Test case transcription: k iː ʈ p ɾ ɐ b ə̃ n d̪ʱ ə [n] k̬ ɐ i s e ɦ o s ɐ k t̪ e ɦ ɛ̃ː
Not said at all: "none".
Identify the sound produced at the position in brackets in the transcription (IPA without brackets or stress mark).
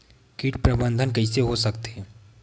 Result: n